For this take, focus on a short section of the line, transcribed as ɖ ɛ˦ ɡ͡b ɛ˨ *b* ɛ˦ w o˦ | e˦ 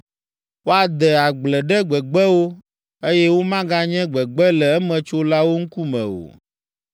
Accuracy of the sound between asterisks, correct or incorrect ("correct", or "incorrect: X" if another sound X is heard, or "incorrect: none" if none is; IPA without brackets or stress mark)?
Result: incorrect: ɡ͡b